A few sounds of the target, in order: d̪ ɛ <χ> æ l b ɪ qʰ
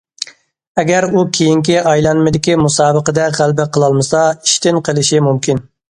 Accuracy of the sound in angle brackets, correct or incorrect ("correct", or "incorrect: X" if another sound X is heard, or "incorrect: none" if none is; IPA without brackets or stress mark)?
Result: incorrect: ʁ